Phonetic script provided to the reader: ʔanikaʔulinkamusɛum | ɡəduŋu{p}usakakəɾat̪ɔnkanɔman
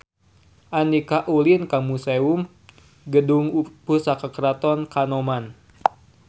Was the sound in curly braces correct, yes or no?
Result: yes